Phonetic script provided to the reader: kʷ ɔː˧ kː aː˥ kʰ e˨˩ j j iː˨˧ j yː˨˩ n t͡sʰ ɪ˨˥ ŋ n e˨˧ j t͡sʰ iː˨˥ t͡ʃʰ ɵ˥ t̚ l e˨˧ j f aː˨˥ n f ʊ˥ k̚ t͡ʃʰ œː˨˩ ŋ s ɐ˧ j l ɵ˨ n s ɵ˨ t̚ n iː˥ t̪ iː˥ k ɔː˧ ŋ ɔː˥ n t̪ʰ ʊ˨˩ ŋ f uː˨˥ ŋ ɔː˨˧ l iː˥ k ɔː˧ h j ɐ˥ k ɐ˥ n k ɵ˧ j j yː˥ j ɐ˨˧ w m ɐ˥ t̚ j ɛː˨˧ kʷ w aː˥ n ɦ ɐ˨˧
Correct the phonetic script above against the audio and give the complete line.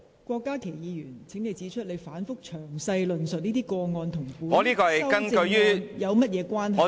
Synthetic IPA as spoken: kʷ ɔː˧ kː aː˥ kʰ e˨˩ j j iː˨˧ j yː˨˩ n t͡sʰ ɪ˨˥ ŋ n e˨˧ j t͡s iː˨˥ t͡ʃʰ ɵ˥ t̚ l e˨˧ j f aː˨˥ n f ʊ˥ k̚ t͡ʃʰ œː˨˩ ŋ s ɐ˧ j l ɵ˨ n s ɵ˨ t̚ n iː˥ t̪ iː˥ k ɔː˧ ŋ ɔː˧ n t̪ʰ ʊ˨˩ ŋ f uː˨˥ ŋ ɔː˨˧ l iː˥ k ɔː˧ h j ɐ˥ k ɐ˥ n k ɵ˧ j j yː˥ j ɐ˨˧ w m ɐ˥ t̚ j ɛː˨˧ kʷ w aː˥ n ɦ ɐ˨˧